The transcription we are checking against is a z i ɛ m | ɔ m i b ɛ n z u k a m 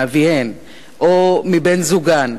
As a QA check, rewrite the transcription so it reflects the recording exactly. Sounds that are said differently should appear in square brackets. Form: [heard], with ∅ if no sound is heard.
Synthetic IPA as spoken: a [v] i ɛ [n] | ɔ m i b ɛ n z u [ɡ] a [n]